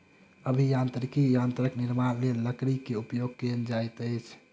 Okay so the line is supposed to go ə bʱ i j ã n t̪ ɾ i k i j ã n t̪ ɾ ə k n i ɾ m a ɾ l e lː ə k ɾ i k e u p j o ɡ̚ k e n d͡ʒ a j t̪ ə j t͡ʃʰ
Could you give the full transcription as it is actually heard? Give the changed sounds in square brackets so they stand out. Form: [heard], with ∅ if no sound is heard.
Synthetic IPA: ə bʱ i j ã n t̪ ɾ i k i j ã n t̪ ɾ ə k n i ɾ m a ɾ l e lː ə k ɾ i k e u p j o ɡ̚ k e n d͡ʒ a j t̪ ə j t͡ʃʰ